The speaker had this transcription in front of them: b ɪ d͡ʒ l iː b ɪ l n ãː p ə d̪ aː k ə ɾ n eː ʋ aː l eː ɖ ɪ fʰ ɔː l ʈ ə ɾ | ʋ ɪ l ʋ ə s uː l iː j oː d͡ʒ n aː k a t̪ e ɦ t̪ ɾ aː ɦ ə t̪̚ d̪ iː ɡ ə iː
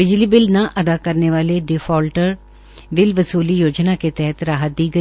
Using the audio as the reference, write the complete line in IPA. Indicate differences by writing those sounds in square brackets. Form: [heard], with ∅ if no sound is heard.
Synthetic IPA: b ɪ d͡ʒ l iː b ɪ l n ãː [ʔ] ə d̪ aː k ə ɾ n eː ʋ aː l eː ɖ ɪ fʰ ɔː l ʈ ə ɾ | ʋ ɪ l ʋ ə s uː l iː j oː d͡ʒ n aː k [e] t̪ [ɛ] ɦ t̪ ɾ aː ɦ ə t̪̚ d̪ iː ɡ ə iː